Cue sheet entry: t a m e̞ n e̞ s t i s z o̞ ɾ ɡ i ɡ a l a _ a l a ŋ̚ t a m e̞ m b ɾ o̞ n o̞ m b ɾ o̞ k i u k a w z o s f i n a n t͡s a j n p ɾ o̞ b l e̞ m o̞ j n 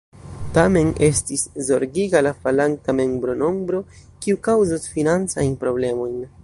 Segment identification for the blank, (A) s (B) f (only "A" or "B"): B